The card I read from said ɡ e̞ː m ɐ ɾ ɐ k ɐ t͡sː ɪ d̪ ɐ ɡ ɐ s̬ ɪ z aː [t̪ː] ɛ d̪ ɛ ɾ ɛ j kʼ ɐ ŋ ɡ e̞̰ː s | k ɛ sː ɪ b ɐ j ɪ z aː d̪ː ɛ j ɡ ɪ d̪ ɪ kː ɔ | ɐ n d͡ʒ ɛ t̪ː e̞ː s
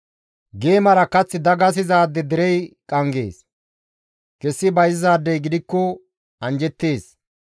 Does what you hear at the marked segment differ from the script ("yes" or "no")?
yes